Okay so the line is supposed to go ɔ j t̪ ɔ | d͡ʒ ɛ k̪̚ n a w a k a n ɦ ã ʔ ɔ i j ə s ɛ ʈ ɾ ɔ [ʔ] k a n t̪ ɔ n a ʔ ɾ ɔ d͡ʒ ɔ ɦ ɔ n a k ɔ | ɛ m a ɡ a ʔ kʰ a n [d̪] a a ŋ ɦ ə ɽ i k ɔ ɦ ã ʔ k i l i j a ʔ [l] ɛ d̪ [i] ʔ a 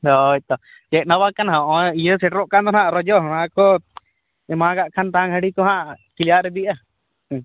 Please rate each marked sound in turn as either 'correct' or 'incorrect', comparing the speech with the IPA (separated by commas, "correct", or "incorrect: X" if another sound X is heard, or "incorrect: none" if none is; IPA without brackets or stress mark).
correct, incorrect: t̪, incorrect: ɾ, correct